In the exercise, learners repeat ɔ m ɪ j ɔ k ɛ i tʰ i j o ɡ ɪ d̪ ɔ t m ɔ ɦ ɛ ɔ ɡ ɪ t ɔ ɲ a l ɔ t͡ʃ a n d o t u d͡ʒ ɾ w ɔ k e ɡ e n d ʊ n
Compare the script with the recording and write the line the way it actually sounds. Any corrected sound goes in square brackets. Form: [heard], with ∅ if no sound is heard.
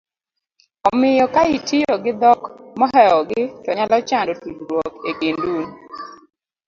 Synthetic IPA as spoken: ɔ m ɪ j ɔ k [a] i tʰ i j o ɡ ɪ d̪ ɔ [k] m ɔ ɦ ɛ ɔ ɡ ɪ t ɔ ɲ a l ɔ t͡ʃ a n d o t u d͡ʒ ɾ w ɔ k e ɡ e n d [u] n